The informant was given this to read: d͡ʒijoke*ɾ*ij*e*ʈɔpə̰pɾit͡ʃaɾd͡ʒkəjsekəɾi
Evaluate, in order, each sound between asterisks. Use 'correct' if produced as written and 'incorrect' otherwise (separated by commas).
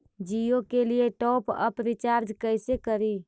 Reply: incorrect, correct